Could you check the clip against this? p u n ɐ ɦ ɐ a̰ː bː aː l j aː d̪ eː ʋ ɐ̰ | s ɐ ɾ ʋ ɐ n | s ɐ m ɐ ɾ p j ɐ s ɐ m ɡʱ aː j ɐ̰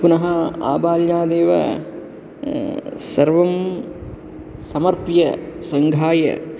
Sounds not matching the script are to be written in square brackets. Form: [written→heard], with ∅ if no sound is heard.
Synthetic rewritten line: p u n ɐ ɦ ɐ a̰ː [bː→b] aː l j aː d̪ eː ʋ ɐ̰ | s ɐ ɾ ʋ ɐ [n→m] | s ɐ m ɐ ɾ p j ɐ s ɐ [m→ŋ] ɡʱ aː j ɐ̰